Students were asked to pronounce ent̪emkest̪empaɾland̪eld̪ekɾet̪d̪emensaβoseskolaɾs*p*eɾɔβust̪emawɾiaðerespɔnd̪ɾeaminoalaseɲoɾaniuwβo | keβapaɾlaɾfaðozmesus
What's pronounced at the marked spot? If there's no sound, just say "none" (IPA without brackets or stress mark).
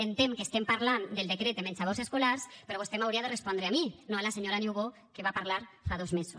p